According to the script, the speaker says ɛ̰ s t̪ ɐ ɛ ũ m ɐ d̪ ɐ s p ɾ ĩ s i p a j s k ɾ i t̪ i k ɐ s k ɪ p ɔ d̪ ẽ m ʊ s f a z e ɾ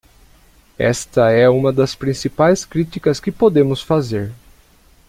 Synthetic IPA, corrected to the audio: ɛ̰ s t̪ ɐ ɛ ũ m ɐ d̪ ɐ s p ɾ ĩ s i p a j s k ɾ i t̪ i k ɐ s k ɪ p o d̪ ẽ m ʊ s f a z e ɾ